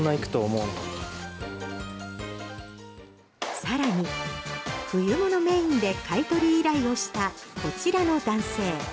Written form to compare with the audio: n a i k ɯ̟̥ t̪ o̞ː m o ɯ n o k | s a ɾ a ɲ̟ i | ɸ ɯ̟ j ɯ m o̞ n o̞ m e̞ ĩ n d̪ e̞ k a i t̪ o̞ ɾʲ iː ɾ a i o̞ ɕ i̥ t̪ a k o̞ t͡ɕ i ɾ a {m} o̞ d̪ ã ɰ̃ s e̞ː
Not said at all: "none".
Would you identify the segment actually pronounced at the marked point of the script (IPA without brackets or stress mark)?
n